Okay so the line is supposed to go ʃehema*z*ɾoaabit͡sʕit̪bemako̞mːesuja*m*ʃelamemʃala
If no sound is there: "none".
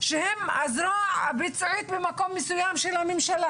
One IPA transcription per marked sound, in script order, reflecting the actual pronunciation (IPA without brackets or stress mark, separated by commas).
z, m